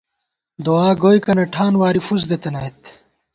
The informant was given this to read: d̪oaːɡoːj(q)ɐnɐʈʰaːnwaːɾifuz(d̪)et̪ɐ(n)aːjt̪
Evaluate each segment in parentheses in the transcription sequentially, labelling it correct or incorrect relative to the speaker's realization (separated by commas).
incorrect, correct, correct